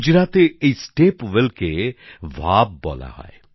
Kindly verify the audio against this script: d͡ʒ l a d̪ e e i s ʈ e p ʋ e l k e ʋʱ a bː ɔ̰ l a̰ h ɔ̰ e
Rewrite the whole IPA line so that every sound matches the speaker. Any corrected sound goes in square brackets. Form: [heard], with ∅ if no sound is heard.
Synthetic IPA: d͡ʒ [ɾ] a [t̪] e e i s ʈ e p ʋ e l k e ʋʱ a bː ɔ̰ l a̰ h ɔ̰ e

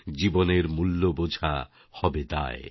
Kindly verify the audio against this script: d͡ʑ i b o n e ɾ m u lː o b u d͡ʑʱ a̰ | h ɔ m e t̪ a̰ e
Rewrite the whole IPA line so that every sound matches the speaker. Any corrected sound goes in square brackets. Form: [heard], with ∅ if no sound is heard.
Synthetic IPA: d͡ʑ i b o n e ɾ m u lː o b [o] d͡ʑʱ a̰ | h ɔ [b] e t̪ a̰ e

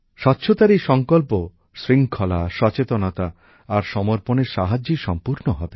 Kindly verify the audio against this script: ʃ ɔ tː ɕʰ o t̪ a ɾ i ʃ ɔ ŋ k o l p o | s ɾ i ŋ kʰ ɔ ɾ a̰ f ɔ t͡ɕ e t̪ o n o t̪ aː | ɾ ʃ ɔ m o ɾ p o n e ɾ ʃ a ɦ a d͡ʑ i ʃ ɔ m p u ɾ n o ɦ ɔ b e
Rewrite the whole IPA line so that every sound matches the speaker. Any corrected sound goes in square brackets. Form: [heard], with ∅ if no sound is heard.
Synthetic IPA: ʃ ɔ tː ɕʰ o t̪ a ɾ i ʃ ɔ ŋ k o l p o | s ɾ i ŋ kʰ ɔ [l] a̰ [ʃ] ɔ t͡ɕ e t̪ o n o t̪ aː | ɾ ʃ ɔ m o ɾ p o n e ɾ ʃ a ɦ a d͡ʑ i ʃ ɔ m p u ɾ n o ɦ ɔ b e

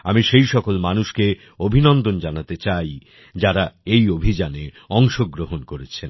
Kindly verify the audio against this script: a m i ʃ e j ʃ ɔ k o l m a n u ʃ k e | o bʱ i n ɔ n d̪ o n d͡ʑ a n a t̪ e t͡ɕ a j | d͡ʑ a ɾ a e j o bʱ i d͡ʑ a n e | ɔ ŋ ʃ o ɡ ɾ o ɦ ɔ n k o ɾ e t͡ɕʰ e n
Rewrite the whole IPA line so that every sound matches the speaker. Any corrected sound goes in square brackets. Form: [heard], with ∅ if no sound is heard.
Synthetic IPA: a m i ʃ e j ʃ ɔ k o l m a n u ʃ k e | o bʱ i n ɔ n d̪ o n d͡ʑ a n a t̪ e t͡ɕ a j | d͡ʑ a ɾ a e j o bʱ i d͡ʑ a n e | ɔ ŋ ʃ o ɡ ɾ o ɦ [o] n k o ɾ e t͡ɕʰ e n

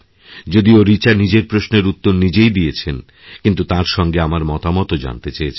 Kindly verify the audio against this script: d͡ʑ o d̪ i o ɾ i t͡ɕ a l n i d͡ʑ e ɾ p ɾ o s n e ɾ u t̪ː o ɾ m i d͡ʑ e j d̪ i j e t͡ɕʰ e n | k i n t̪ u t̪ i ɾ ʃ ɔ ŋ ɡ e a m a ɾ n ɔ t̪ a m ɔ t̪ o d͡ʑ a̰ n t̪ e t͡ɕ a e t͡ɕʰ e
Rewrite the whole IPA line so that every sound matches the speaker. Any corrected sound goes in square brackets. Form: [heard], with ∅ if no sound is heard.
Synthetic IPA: d͡ʑ o d̪ i o ɾ i t͡ɕ a [ɾ] n i d͡ʑ e ɾ p ɾ o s n e ɾ u t̪ː o ɾ [n] i d͡ʑ e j d̪ i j e t͡ɕʰ e n | k i n t̪ u t̪ [a] ɾ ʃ ɔ ŋ ɡ e a m a ɾ [m] ɔ t̪ a m ɔ t̪ o d͡ʑ a̰ n t̪ e t͡ɕ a e t͡ɕʰ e

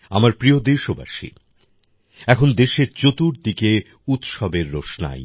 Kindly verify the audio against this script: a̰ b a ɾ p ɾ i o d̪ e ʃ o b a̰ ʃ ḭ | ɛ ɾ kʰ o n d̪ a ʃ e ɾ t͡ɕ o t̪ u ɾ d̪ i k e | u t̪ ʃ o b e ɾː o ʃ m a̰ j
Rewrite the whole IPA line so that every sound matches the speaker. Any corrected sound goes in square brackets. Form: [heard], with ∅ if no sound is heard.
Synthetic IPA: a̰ [m] a ɾ p ɾ i o d̪ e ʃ o b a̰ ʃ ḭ | ɛ [∅] kʰ o n d̪ [e] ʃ e ɾ t͡ɕ o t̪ u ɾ d̪ i k e | u t̪ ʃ [ɔ] b e ɾː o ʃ [n] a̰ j

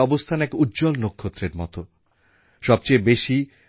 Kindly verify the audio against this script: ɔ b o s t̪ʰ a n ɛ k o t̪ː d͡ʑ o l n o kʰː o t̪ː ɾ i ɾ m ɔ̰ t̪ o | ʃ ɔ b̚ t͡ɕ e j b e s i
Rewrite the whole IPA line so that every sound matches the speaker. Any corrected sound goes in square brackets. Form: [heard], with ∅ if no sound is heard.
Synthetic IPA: ɔ b o s t̪ʰ a n ɛ k [u] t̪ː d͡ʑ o l n o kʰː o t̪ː ɾ [e] ɾ m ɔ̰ t̪ o | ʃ ɔ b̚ t͡ɕ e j b e [ʃ] i

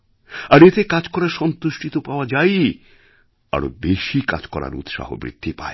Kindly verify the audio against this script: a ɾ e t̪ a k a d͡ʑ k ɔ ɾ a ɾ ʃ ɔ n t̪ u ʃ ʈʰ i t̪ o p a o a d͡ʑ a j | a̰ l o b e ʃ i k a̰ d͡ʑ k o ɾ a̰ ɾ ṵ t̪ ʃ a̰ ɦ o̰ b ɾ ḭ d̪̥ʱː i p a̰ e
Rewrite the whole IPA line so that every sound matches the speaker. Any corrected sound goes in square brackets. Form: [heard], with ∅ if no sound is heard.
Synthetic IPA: a ɾ e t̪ [e] k a d͡ʑ k ɔ ɾ a ɾ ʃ ɔ n t̪ u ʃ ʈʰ i t̪ o p a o a d͡ʑ a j | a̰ [ɾ] o b e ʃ i k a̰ d͡ʑ k [ɔ] ɾ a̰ ɾ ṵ t̪ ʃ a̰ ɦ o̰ b ɾ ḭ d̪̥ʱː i p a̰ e

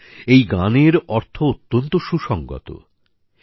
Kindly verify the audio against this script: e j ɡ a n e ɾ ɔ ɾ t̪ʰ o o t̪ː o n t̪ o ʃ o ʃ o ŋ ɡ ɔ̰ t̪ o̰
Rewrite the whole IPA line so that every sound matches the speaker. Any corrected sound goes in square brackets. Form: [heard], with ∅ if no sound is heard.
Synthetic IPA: e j ɡ a n e ɾ ɔ ɾ t̪ʰ o o t̪ː o n t̪ o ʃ [u] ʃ [ɔ] ŋ ɡ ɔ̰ t̪ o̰

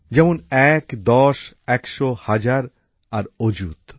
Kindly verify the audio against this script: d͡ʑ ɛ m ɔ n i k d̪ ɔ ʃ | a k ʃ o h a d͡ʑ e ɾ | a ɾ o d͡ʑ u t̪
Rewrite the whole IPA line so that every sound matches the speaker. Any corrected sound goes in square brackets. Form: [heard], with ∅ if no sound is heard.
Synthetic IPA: d͡ʑ ɛ m [o] n [ɛ] k d̪ ɔ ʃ | [ɛ] k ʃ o h a d͡ʑ [a] ɾ | a ɾ o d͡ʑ u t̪

